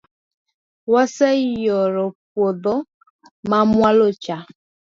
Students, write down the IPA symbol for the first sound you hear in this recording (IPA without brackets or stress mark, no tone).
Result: w